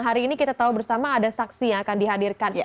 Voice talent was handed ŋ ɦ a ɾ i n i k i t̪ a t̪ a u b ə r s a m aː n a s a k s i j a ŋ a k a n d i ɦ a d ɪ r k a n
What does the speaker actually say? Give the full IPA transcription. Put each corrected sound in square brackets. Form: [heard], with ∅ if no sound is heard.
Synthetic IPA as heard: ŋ ɦ a ɾ [iː] n i k i t̪ a t̪ a u b ə r s a m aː [d] a s a k s i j a ŋ a k a n d i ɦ a d [i] r k a n

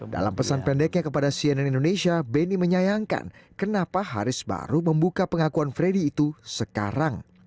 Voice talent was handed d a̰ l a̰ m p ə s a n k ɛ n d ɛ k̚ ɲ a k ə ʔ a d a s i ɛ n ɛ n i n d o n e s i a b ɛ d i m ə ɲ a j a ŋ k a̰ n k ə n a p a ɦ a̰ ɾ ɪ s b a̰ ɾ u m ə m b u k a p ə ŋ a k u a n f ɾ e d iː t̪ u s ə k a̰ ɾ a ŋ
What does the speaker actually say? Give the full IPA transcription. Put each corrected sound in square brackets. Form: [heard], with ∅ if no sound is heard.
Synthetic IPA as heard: d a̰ l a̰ m p ə s a n [p] ɛ n d ɛ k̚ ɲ a k ə [p] a d a s i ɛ n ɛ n i n d o n e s i a b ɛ [n] i m ə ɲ a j a ŋ k a̰ n k ə n a p a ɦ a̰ ɾ ɪ s b a̰ ɾ u m ə m b u k a p ə ŋ a k u a n f ɾ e d iː t̪ u s ə k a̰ ɾ a ŋ

